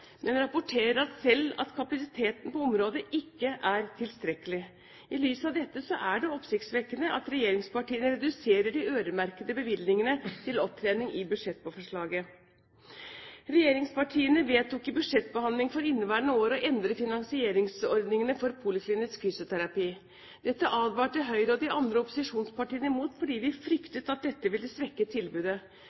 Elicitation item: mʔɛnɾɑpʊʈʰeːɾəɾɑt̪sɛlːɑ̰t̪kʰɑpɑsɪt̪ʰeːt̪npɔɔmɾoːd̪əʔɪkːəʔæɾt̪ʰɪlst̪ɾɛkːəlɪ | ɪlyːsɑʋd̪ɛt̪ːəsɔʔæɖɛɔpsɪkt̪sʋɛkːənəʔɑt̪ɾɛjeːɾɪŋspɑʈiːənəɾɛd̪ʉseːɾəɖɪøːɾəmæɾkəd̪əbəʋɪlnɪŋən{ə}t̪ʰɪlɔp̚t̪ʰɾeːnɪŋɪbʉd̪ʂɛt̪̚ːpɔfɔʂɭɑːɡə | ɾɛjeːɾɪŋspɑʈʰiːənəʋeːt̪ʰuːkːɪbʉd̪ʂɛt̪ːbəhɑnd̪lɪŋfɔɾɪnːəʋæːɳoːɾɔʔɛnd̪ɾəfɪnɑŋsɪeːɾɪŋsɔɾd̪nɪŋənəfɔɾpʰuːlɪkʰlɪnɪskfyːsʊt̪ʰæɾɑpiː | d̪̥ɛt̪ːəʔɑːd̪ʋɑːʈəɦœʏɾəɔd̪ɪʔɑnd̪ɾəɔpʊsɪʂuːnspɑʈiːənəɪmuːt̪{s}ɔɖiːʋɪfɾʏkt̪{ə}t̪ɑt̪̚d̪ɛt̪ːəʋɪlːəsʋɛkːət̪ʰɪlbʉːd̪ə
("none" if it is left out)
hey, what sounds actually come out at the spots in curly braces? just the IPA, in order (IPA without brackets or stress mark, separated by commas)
ə, f, ə